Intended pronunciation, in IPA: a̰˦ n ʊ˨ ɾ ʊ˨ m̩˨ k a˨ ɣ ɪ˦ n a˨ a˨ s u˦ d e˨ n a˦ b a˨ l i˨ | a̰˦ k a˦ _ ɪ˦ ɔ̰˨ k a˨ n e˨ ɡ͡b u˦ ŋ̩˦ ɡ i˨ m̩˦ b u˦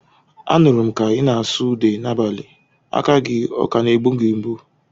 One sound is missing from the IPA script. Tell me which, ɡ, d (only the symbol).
ɡ